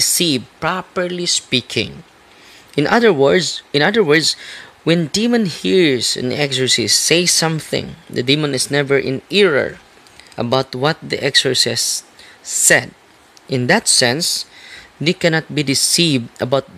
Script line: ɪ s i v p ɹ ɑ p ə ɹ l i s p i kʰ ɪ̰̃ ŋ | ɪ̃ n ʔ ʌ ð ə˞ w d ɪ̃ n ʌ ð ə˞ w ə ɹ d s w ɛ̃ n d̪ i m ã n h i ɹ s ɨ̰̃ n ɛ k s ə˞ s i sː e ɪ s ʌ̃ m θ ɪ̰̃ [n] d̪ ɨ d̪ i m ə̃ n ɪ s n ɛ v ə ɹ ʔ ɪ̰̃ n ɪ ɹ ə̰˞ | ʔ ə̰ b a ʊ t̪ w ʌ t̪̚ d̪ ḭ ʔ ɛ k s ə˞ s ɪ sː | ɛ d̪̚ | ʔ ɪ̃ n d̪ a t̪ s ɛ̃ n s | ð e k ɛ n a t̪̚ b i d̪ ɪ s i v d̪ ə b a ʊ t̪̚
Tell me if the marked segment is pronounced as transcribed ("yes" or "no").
no